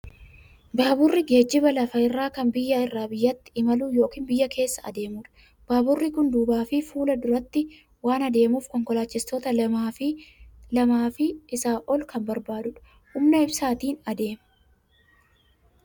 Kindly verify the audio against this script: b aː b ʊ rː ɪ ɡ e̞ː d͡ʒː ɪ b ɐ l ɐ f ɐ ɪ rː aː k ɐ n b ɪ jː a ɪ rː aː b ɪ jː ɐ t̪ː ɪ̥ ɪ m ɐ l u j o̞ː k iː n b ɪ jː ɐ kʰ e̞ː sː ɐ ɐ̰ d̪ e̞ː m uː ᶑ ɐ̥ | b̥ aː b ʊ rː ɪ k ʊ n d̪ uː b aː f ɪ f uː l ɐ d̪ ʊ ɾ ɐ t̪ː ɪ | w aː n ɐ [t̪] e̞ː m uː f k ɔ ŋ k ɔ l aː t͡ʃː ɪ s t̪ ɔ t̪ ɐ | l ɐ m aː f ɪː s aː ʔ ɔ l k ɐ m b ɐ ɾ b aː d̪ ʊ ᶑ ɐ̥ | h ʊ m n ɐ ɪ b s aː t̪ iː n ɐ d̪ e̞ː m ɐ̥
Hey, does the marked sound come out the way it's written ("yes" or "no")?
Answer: no